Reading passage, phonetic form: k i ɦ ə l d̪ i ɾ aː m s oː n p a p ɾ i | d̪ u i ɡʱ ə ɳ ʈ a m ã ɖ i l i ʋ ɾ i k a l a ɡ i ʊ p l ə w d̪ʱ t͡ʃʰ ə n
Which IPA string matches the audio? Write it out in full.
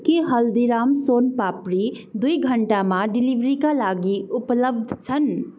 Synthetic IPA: k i ɦ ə l d̪ i ɾ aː m s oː n p a p ɾ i | d̪ u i ɡʱ ə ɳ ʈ a m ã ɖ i l i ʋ ɾ i k a l a ɡ i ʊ p l ə b d̪ʱ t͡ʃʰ ə n